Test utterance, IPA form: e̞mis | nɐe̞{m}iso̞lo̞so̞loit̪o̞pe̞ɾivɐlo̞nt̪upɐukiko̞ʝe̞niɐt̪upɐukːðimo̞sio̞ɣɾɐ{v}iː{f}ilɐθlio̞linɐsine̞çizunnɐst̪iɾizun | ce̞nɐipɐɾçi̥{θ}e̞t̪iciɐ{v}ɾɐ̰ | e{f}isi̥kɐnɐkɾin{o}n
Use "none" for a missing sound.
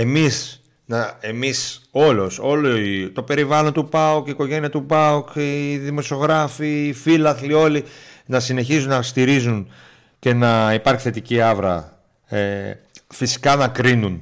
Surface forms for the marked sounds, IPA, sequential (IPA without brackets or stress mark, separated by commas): m, f, f, θ, v, f, u